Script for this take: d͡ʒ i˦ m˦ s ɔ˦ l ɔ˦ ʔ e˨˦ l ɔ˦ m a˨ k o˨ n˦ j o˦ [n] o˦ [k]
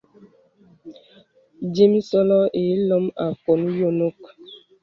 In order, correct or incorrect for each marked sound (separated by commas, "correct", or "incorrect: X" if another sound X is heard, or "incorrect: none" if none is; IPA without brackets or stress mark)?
correct, correct